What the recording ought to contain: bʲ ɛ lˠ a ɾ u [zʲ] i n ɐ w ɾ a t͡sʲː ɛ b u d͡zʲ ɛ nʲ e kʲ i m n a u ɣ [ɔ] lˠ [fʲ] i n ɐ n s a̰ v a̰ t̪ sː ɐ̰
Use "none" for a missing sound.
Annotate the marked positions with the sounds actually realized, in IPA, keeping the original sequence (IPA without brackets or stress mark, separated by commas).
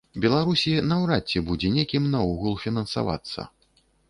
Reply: sʲ, u, fʲ